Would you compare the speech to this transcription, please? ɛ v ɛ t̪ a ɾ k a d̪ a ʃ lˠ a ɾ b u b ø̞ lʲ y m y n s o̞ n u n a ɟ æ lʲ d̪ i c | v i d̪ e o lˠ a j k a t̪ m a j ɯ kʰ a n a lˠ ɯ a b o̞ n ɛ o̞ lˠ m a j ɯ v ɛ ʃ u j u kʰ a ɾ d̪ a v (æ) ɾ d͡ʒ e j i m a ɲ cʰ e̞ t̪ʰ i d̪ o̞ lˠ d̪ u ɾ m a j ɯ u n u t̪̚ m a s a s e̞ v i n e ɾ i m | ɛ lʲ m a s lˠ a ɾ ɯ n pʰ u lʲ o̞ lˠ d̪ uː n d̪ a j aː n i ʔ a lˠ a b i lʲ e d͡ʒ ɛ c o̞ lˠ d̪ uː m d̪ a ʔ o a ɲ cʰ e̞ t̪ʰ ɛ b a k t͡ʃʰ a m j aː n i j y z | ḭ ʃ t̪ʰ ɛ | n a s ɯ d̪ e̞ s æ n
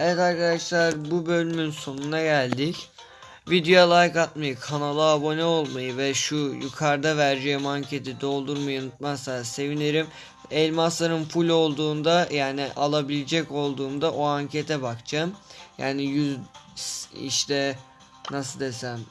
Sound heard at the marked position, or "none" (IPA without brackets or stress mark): æ